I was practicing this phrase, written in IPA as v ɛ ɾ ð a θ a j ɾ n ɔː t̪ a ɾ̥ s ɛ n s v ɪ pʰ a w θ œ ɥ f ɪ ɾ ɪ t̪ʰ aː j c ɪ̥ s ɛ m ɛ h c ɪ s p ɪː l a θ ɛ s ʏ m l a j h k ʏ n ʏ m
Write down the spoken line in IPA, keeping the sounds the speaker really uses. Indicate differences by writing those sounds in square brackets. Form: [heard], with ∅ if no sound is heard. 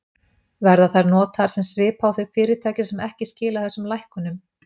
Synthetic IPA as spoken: v ɛ ɾ ð a θ a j ɾ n ɔː t̪ a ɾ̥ s ɛ [m] s v [ɪː] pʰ a w θ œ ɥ f [ɪː] ɾ ɪ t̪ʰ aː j c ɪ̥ s ɛ m ɛ h c ɪ s [c] ɪː l a θ ɛ s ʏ m l a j h k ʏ n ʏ m